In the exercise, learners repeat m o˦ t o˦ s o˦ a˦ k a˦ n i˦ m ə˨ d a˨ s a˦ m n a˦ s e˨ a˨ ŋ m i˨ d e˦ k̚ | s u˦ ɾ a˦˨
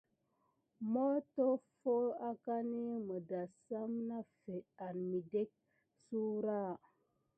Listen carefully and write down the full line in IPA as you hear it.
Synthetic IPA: m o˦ t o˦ f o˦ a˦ k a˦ n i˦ m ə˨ d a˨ s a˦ m n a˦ f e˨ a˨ n m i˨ d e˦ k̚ | s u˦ ɾ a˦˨